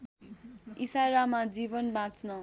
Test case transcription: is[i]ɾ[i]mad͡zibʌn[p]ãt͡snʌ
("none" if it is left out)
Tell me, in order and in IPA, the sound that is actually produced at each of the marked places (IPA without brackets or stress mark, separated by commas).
a, a, b